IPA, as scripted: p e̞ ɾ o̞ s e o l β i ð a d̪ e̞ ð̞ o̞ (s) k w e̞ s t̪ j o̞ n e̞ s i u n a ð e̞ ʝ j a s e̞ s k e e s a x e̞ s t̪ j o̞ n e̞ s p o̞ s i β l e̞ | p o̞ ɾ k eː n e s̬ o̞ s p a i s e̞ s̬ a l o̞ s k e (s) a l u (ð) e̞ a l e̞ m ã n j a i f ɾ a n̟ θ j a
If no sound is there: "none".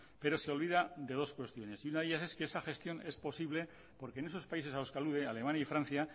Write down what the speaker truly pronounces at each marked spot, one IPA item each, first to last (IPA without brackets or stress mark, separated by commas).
s, none, ð